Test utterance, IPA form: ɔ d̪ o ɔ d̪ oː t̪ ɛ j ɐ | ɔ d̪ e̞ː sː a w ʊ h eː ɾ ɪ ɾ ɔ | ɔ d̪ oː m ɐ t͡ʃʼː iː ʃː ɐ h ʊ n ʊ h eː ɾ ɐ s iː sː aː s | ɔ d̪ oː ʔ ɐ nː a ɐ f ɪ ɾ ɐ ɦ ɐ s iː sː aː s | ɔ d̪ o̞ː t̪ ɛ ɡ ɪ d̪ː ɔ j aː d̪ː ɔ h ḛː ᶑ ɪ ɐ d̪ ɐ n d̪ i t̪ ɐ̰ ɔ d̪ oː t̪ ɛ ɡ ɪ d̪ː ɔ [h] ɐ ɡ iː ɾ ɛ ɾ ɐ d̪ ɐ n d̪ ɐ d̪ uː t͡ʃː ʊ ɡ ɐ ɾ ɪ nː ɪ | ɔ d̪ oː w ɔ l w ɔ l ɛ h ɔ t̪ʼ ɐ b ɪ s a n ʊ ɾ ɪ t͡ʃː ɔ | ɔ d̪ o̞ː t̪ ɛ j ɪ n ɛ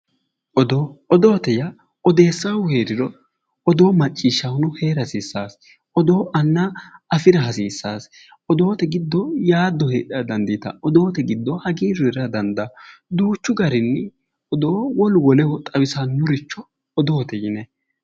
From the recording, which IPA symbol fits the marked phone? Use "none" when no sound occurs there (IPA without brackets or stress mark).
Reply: h